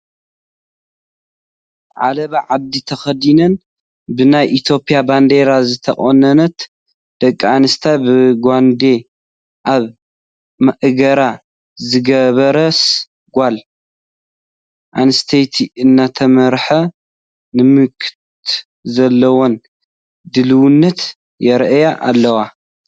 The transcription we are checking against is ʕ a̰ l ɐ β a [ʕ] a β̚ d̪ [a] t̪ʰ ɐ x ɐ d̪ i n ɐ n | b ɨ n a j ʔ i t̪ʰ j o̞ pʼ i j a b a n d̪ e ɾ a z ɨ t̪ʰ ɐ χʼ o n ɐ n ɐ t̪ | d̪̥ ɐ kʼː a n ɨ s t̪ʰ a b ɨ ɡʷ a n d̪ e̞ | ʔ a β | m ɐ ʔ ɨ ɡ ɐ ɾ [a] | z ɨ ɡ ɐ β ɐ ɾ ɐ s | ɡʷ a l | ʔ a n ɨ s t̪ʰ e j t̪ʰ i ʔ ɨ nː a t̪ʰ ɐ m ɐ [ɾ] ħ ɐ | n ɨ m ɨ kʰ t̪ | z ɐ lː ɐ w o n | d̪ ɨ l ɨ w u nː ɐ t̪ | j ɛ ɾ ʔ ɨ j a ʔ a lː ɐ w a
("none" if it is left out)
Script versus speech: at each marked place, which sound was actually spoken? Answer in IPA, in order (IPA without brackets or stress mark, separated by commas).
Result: ʕ, i, a, ɾ